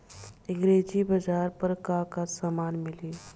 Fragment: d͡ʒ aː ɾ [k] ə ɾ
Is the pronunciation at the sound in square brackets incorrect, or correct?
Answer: incorrect